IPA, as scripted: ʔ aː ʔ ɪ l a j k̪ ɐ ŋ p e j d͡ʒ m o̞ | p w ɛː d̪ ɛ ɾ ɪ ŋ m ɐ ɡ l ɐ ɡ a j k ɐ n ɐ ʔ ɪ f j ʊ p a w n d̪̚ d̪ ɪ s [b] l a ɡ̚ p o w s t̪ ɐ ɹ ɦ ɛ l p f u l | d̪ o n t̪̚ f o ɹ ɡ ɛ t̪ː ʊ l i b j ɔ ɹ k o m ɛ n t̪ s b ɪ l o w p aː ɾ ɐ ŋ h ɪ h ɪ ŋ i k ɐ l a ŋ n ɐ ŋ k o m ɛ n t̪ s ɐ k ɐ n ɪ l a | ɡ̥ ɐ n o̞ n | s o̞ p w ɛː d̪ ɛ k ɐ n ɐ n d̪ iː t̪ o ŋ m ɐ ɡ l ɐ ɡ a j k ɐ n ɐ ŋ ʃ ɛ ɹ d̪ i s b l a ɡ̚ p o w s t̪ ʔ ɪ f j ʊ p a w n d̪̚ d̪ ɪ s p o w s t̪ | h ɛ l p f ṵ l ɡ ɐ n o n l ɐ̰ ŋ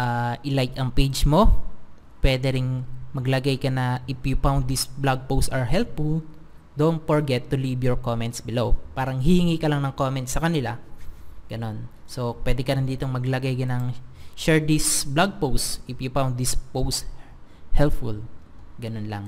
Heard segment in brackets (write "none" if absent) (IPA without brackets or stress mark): b